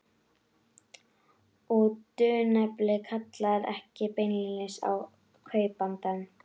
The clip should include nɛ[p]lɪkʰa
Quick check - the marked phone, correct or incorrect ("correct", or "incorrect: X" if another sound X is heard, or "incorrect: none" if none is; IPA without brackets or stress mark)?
correct